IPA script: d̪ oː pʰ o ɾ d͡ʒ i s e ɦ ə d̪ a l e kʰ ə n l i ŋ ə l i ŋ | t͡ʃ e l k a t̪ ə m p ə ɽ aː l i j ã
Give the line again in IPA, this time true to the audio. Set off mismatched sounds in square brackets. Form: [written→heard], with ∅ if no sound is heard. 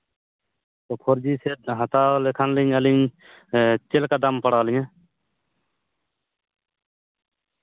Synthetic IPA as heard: [d̪→t̪] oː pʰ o ɾ d͡ʒ i s e ɦ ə [d̪→t̪] a l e kʰ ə n l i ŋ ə l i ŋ | t͡ʃ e l k a [t̪→d̪] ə m p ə ɽ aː l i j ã